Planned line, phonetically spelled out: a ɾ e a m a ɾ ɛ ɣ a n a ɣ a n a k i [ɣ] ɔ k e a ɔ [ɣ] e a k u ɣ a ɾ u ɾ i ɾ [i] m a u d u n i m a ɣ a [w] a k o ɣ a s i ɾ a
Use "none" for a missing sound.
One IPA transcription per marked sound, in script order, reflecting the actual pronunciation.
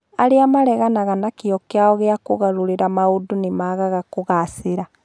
none, ɣ, a, ɣ

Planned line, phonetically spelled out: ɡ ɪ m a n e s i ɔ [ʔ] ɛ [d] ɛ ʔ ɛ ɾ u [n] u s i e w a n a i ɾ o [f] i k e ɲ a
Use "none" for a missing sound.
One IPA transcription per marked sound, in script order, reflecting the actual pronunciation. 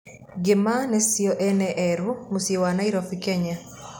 ʔ, n, m, f

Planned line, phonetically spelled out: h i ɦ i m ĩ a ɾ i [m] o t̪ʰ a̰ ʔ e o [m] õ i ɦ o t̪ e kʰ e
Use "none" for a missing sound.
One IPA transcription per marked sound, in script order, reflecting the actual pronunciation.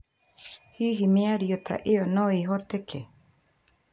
none, n

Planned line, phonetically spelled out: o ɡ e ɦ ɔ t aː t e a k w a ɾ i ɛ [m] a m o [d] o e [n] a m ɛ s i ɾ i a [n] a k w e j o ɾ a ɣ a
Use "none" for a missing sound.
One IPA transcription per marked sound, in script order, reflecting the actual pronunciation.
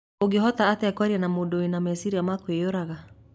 n, d, n, m

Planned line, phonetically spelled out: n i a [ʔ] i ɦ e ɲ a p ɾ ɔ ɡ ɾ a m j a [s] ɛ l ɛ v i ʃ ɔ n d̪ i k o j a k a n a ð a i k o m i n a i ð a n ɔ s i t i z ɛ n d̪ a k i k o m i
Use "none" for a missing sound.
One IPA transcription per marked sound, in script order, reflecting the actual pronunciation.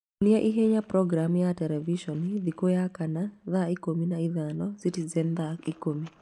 ʔ, t

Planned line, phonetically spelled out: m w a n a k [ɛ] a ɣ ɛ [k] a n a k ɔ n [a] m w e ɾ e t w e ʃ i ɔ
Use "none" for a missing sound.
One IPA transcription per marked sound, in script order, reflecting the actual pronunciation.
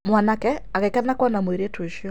ɛ, k, a

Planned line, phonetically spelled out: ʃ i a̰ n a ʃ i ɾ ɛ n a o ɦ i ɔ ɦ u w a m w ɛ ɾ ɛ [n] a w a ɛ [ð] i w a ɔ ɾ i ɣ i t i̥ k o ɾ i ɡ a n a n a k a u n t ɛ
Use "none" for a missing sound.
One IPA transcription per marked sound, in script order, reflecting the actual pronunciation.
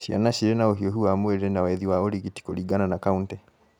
n, ð

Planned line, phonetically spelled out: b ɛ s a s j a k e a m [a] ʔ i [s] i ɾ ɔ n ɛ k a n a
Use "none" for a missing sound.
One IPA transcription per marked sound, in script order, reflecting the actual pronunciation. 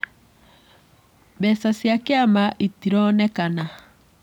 a, t

